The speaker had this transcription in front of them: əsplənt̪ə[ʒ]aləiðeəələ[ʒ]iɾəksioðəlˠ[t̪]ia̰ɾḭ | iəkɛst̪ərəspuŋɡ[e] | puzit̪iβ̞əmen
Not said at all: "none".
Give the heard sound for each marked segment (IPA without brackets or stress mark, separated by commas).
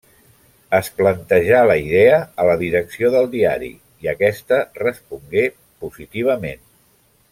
ʒ, ð, d̪, e